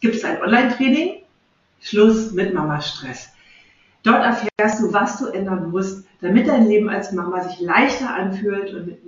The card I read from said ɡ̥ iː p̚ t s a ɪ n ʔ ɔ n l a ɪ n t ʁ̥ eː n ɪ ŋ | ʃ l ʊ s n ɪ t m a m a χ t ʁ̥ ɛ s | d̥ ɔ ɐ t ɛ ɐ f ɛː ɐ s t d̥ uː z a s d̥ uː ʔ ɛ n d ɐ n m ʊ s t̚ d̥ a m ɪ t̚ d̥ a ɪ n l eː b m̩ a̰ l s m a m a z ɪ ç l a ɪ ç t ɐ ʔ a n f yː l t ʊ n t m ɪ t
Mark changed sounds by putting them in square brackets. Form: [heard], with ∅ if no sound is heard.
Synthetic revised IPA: ɡ̥ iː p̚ t s a ɪ n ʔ ɔ n l a ɪ n t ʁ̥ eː n ɪ ŋ | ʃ l ʊ s [m] ɪ t m a m a [ʃ] t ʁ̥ ɛ s | d̥ ɔ ɐ t ɛ ɐ f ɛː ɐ s t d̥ uː [v] a s d̥ uː ʔ ɛ n d ɐ n m ʊ s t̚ d̥ a m ɪ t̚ d̥ a ɪ n l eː b m̩ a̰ l s m a m a z ɪ ç l a ɪ ç t ɐ ʔ a n f yː l t ʊ n t m ɪ t